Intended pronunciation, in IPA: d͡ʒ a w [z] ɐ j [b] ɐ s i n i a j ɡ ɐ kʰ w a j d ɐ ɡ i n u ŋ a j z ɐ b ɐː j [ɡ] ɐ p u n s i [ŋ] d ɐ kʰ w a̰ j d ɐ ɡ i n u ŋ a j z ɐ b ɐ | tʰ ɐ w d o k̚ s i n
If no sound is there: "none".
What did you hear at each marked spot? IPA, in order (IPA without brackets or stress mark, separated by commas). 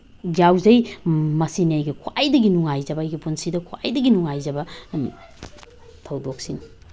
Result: z, m, ɡ, none